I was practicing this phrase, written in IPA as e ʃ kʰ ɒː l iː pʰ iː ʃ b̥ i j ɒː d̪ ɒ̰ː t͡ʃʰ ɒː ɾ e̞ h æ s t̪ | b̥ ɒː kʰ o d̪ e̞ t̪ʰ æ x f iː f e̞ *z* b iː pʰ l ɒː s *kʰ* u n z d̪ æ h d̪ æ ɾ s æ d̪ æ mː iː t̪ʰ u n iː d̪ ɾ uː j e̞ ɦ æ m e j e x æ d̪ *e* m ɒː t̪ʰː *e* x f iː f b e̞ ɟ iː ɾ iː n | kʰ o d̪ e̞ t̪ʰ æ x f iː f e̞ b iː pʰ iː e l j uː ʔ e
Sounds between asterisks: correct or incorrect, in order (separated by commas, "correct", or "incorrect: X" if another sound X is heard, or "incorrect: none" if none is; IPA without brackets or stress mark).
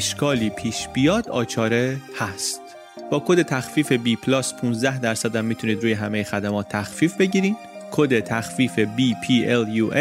incorrect: none, incorrect: pʰ, incorrect: æ, incorrect: æ